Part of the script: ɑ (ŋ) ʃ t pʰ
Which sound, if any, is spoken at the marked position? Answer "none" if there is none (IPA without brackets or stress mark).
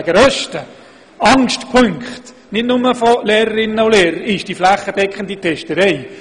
ŋ